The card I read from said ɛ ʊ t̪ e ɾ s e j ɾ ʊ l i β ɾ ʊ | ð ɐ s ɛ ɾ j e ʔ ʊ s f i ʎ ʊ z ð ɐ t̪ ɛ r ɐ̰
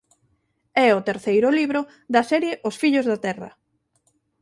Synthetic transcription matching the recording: ɛ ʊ t̪ e ɾ θ e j ɾ ʊ l i β ɾ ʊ | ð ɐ s ɛ ɾ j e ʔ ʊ s f i ʎ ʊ z ð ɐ t̪ ɛ r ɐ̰